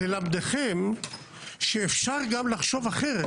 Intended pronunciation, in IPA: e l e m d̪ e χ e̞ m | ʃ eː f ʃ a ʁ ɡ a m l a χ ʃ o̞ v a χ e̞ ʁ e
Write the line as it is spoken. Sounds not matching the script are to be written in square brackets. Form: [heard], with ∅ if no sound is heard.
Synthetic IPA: e l [a] m d̪ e χ e̞ m | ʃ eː f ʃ a ʁ ɡ a m l a χ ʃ o̞ v a χ e̞ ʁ e